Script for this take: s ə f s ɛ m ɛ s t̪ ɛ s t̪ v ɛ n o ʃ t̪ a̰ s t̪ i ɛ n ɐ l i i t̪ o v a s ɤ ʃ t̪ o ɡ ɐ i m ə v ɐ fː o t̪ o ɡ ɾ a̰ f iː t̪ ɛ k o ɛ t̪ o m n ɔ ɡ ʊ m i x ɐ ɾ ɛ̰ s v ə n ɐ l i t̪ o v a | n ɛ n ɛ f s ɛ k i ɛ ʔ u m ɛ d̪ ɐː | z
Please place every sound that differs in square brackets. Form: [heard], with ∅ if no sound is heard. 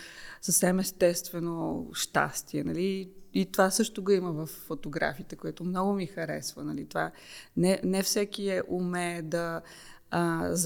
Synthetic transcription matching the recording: s ə f s ɛ m ɛ s t̪ ɛ s t̪ v ɛ n o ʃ t̪ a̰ s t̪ i ɛ n ɐ l i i t̪ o v a s ɤ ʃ t̪ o ɡ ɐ i m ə v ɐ fː o t̪ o ɡ ɾ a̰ f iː t̪ ɛ k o ɛ t̪ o m n ɔ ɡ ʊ m i x ɐ ɾ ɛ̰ s v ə n ɐ l i t̪ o v a | n ɛ n ɛ f s ɛ k i ɛ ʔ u m ɛ d̪ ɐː | z